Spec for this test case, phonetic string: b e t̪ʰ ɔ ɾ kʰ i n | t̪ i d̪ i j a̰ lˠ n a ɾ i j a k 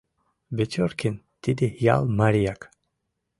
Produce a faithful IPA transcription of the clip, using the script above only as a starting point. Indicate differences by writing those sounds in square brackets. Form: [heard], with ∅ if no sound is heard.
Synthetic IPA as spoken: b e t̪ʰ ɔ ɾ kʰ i n | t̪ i d̪ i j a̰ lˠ [m] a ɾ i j a k